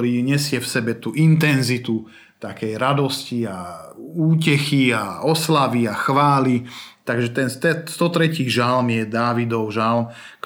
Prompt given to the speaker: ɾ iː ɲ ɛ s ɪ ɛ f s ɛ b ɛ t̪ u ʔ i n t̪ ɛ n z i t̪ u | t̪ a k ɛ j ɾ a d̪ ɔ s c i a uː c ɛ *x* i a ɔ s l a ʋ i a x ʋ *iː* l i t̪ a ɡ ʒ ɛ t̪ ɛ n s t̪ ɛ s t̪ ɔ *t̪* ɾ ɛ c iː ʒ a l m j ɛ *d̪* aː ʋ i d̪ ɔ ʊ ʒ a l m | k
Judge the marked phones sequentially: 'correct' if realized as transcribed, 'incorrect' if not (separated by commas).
correct, incorrect, correct, correct